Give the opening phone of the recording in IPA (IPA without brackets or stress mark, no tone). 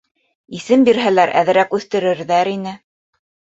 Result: i